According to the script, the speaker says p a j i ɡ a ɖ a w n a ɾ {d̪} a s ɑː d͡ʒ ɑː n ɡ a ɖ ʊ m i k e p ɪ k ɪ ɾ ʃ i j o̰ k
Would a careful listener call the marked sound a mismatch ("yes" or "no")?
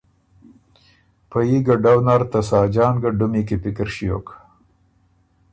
yes